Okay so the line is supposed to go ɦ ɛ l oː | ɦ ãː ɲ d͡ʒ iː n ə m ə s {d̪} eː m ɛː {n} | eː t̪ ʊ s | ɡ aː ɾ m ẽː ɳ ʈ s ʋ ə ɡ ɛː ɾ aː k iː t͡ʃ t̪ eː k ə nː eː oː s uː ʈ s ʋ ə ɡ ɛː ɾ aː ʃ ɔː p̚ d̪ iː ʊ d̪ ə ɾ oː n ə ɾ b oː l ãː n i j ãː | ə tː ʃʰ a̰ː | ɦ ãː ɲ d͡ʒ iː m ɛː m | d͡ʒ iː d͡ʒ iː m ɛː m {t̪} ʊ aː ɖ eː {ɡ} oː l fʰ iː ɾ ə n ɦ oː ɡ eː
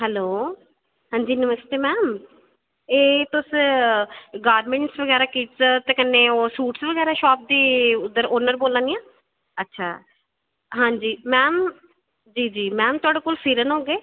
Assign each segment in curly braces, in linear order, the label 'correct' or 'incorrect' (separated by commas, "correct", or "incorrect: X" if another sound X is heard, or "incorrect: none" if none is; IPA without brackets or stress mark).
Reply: incorrect: t̪, incorrect: m, correct, incorrect: k